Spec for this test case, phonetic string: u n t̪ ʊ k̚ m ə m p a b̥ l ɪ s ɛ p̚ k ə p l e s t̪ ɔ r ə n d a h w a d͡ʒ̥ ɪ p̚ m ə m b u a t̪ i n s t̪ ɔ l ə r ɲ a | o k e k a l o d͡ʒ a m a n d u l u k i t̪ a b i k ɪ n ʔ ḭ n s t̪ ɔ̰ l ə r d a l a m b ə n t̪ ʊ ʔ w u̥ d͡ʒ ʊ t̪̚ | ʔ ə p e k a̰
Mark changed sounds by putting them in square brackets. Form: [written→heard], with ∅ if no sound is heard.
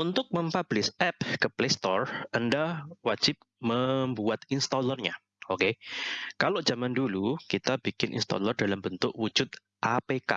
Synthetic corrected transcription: u n t̪ ʊ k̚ m ə m p a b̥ l ɪ s ɛ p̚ k ə p l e s t̪ ɔ r ə n d a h w a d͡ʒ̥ ɪ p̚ m ə m b u a t̪ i n s t̪ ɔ l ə r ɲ a | o k e k a l o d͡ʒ a m a n d u l u k i t̪ a b i k ɪ n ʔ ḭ n s t̪ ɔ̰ l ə r d a l a m b ə n t̪ ʊ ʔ w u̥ d͡ʒ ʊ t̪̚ | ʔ [ə→a] p e k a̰